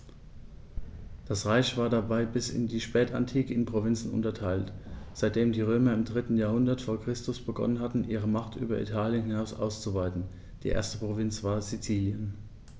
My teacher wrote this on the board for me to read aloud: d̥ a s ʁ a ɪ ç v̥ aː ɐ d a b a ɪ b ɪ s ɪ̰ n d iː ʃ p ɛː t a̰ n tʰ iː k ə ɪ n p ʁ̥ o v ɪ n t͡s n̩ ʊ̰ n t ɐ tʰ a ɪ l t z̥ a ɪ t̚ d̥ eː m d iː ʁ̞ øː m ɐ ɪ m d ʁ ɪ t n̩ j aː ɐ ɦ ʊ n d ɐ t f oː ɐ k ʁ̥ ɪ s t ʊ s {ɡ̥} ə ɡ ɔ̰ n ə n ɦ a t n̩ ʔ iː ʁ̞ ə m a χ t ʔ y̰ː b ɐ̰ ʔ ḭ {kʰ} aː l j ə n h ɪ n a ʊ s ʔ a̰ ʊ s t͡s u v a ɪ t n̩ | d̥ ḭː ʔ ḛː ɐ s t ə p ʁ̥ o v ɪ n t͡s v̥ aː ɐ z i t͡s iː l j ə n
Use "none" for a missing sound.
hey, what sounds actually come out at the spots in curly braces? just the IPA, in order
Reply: b̥, tʰ

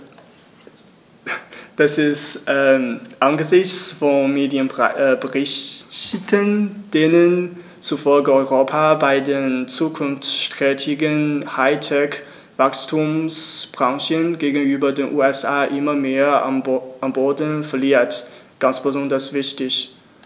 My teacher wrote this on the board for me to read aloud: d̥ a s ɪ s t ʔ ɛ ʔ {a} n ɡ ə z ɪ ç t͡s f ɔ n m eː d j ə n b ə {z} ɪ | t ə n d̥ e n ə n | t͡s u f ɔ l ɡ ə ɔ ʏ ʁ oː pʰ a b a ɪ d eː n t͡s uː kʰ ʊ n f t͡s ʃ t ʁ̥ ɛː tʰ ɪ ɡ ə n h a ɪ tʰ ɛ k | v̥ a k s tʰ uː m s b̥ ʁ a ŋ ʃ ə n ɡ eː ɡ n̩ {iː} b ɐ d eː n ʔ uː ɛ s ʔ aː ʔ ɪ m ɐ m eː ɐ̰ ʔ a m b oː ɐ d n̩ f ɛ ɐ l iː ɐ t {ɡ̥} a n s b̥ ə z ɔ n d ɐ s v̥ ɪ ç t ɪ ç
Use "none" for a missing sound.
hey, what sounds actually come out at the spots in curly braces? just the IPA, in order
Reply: a, ʁ, yː, ɡ̥

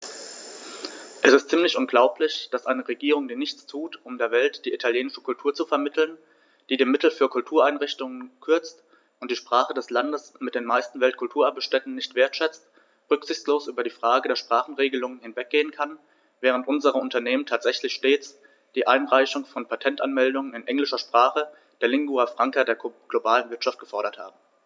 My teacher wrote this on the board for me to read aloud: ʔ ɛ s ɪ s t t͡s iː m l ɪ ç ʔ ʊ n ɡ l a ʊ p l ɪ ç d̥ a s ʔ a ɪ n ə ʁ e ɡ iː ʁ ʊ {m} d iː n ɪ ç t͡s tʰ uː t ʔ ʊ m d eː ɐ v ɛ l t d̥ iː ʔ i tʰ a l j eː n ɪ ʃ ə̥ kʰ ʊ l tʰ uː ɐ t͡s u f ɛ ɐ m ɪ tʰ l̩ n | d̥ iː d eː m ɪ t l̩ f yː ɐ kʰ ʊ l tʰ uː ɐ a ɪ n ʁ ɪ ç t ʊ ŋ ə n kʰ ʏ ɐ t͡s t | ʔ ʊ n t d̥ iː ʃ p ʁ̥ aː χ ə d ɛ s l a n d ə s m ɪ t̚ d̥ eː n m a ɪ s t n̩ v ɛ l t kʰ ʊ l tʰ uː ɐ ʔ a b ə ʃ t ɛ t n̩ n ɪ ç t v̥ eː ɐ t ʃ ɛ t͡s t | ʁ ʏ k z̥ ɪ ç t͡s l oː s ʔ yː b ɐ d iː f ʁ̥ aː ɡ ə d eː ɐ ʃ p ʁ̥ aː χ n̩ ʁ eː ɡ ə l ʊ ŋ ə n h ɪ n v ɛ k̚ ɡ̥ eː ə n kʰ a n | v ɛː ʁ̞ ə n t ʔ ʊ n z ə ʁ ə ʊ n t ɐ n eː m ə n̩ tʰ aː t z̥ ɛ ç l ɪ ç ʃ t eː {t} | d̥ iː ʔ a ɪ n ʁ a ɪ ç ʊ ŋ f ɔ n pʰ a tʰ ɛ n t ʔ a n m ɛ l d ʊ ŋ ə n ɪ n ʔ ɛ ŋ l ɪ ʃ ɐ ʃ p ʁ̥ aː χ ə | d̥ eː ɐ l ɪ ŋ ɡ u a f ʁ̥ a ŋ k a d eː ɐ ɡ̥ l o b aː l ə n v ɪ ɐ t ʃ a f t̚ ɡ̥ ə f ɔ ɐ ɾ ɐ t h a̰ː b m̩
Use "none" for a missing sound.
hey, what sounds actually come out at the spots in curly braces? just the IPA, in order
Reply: ŋ, t͡s

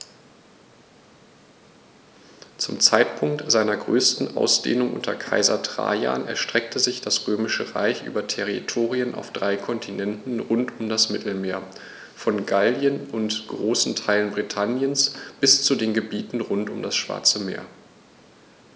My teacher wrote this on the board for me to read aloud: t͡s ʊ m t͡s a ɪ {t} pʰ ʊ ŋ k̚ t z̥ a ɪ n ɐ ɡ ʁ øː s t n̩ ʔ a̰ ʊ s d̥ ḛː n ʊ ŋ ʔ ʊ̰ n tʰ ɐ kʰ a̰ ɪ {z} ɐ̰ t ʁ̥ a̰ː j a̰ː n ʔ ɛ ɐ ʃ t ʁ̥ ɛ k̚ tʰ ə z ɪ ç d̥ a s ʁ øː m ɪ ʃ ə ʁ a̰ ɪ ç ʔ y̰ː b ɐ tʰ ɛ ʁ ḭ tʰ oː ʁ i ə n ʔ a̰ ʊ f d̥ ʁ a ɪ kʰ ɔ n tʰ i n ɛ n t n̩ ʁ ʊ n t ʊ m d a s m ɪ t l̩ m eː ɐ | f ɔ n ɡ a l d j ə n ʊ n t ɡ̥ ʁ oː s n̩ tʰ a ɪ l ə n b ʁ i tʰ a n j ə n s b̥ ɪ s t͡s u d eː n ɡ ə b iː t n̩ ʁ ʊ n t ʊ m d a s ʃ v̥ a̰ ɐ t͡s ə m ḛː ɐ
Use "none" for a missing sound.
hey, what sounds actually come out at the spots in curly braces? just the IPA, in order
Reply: t, z

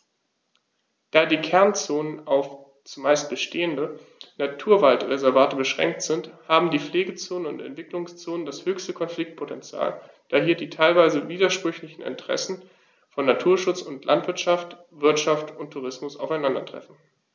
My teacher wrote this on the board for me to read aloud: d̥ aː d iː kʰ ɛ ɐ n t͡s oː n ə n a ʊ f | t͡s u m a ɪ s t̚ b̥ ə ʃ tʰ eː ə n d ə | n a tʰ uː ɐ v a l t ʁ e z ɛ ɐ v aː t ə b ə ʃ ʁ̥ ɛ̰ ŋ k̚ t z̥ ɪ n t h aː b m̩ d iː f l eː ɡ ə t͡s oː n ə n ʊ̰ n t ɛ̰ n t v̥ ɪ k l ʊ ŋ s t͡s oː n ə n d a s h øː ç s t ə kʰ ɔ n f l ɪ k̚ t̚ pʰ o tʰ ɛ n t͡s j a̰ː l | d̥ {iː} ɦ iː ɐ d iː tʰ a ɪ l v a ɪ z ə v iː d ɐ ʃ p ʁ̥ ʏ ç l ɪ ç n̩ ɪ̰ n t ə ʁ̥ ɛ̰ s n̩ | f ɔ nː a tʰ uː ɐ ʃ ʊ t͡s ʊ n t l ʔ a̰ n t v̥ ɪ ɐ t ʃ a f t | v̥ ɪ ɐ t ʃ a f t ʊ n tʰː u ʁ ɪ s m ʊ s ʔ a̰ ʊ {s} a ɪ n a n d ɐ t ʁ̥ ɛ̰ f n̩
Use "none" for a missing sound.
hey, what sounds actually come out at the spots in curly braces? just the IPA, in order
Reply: aː, f

